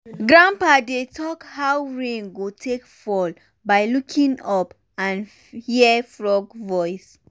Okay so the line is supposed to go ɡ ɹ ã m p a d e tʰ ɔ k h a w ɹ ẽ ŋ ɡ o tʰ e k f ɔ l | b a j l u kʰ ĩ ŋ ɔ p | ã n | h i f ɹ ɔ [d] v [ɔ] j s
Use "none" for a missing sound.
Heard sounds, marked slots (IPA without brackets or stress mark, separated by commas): ɡ, ɔ